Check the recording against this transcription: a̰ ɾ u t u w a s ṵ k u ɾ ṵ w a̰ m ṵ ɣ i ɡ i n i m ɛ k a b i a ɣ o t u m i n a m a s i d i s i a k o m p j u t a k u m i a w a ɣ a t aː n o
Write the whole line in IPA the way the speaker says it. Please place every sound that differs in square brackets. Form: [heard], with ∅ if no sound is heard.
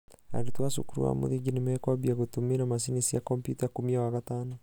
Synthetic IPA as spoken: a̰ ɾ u t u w a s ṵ k u ɾ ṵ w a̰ m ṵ [ð] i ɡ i n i m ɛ k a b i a ɣ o t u m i n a m a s i [n] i s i a k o m p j u t a k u m i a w a ɣ a t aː n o